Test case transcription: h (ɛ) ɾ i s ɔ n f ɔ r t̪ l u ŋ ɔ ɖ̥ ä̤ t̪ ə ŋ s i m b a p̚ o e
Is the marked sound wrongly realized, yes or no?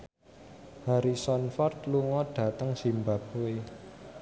yes